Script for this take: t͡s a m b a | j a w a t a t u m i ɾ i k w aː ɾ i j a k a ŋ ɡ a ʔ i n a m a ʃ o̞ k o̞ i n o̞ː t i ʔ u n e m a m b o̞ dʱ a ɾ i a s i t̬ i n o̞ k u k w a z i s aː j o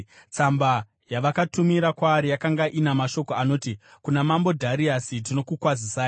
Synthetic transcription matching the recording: t͡s a m b a | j a ʋ a k a t u m i ɾ a k w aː ɾ i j a k a ŋ ɡ a ʔ i n a m a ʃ o̞ k o̞ a n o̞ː t i k u n a m a m b o̞ dʱ a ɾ i a s i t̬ i n o̞ k u k w a z i s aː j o